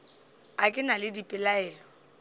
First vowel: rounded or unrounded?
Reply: unrounded